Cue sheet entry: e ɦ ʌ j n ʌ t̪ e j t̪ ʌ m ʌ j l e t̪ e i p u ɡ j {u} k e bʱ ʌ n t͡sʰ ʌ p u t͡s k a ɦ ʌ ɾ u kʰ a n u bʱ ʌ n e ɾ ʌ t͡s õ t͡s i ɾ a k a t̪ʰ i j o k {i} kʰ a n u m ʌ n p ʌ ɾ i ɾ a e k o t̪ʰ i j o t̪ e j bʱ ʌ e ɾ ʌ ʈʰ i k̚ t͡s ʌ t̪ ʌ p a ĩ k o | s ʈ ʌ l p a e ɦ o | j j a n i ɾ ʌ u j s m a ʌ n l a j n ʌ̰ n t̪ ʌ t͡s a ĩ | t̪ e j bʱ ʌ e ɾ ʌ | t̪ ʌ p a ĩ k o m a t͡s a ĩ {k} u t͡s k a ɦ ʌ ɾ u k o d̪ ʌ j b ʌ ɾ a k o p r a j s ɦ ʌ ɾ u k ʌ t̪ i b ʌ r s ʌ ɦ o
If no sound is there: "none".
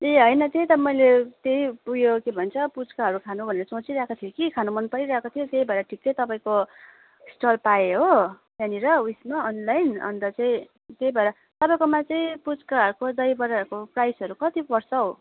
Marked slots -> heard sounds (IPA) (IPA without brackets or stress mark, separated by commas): o, i, p